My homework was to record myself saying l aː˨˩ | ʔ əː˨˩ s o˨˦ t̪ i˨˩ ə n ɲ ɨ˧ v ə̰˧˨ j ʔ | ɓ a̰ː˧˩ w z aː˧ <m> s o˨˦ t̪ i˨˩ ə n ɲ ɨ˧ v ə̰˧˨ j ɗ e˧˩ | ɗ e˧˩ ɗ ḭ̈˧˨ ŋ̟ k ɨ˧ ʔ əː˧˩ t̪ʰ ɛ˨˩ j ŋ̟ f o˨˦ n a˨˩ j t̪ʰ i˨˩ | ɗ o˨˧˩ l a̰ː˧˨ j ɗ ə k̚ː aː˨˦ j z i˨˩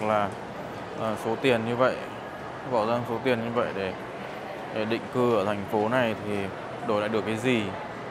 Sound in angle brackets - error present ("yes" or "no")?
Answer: yes